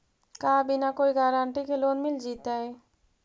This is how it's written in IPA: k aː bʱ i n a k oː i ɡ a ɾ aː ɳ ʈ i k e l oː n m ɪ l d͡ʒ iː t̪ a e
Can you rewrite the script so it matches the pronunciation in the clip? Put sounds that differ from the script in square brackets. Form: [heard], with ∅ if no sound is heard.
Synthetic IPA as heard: k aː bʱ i n a k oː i ɡ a ɾ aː ɳ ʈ i k e l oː n m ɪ l d͡ʒ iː t̪ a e